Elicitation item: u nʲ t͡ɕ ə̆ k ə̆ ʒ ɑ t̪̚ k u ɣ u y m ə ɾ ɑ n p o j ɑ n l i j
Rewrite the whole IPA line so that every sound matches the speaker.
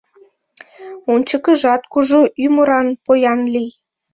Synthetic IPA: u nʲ t͡ɕ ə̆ k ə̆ ʒ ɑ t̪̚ k u ʒ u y m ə ɾ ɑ n p o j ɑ n l i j